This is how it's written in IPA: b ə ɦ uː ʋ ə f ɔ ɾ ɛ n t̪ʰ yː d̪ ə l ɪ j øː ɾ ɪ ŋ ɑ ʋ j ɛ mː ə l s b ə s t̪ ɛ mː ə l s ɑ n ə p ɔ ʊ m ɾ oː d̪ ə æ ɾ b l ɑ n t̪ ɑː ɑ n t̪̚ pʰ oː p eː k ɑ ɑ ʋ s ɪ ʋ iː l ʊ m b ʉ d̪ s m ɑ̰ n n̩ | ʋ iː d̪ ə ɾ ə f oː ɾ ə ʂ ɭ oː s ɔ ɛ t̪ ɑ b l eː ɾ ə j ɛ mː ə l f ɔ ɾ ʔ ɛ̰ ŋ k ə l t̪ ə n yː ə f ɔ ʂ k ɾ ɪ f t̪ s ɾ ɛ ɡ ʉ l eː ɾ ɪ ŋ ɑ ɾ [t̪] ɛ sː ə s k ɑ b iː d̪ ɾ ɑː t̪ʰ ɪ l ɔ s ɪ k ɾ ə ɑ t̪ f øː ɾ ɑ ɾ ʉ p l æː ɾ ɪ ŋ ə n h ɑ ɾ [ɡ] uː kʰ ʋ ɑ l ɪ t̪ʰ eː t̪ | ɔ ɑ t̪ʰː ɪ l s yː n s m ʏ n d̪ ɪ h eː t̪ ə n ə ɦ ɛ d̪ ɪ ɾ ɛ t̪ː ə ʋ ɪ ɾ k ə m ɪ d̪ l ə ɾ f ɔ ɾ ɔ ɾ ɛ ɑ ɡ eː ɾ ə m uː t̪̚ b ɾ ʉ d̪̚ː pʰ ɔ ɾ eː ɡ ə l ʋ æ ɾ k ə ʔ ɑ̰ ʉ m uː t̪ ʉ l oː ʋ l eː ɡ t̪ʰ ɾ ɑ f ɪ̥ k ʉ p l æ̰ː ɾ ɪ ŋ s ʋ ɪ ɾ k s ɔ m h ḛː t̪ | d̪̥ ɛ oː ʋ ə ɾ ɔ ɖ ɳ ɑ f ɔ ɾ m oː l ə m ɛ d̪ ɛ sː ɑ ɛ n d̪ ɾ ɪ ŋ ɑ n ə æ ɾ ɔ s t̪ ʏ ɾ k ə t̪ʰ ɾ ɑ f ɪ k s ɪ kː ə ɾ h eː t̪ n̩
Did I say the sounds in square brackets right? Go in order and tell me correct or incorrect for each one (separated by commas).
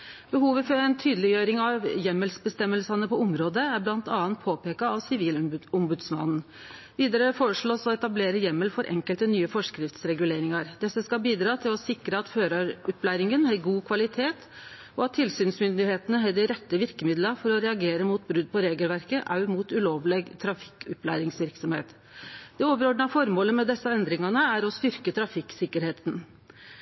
incorrect, correct